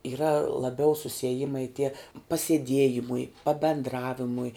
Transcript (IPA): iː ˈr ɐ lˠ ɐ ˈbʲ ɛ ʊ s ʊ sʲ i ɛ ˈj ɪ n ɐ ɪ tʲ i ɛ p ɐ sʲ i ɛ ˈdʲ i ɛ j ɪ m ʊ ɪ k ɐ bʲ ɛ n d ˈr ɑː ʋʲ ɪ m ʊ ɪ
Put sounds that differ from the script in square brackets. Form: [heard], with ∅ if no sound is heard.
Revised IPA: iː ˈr ɐ lˠ ɐ ˈbʲ ɛ ʊ s ʊ sʲ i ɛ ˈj ɪ [m] ɐ ɪ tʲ i ɛ p ɐ sʲ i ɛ ˈdʲ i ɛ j ɪ m ʊ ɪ [p] ɐ bʲ ɛ n d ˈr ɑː ʋʲ ɪ m ʊ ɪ